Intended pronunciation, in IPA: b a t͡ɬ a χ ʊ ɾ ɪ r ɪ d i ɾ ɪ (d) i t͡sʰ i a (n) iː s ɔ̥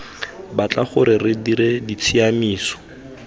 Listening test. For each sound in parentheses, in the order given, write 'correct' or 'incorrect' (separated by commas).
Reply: correct, incorrect